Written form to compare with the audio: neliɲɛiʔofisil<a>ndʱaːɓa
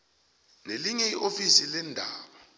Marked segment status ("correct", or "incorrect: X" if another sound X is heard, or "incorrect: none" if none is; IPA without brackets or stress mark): incorrect: ɛ